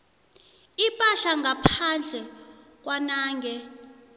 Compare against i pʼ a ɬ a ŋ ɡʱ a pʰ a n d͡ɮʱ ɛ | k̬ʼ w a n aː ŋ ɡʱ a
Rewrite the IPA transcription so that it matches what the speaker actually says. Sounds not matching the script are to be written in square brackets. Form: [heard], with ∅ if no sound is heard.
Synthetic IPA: i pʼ a ɬ a ŋ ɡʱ a pʰ a n d͡ɮʱ ɛ | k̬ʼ w a n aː ŋ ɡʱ [ɛ]